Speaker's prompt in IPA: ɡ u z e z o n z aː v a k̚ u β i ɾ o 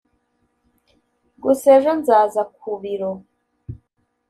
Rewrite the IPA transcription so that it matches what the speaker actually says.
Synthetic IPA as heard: ɡ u s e ʒ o n z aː z a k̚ u β i ɾ o